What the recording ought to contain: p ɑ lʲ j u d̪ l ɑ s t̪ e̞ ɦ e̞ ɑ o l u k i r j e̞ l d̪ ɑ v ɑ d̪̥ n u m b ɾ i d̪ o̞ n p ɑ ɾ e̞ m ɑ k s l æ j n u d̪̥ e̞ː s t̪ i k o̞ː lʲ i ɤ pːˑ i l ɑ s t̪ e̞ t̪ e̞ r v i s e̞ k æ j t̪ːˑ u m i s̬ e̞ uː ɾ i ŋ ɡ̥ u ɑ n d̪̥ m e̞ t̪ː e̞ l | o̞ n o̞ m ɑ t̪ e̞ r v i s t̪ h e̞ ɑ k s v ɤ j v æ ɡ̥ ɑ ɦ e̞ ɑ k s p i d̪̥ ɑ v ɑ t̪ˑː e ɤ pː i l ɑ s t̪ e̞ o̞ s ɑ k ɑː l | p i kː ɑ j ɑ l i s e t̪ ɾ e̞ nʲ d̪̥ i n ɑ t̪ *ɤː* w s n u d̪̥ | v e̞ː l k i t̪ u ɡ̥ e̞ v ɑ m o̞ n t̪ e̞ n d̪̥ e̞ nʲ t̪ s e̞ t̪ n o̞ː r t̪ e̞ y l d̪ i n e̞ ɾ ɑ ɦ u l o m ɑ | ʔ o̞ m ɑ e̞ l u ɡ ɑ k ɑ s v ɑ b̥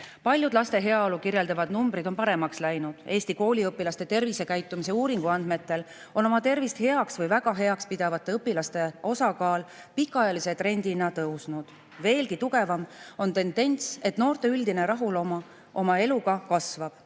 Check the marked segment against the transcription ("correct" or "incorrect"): incorrect